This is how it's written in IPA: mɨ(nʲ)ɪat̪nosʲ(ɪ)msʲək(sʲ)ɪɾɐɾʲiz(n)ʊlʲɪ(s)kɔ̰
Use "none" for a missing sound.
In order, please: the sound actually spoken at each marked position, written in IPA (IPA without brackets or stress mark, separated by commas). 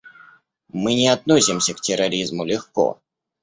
nʲ, ɪ, tʲ, m, x